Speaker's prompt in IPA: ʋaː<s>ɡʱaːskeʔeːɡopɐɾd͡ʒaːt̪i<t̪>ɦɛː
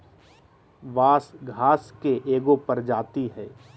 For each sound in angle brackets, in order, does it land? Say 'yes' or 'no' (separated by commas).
yes, no